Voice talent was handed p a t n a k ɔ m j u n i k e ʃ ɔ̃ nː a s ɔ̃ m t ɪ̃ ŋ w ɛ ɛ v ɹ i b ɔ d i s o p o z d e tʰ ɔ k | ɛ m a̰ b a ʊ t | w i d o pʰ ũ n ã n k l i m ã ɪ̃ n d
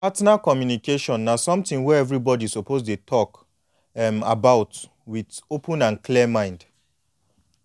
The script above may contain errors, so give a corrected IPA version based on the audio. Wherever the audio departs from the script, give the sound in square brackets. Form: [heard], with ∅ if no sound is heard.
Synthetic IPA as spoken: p a t n a k ɔ m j u n i k e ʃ ɔ̃ nː a s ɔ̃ m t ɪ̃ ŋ w ɛ ɛ v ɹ i b ɔ d i s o p o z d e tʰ ɔ k | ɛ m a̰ b a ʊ t | w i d o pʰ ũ n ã n k l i m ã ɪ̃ n d